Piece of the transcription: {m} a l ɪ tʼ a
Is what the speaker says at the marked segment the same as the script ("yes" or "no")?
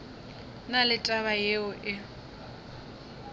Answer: no